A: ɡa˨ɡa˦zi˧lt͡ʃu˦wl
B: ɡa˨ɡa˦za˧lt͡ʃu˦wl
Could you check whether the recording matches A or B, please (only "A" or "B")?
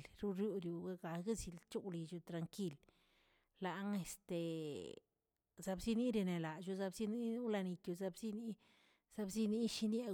A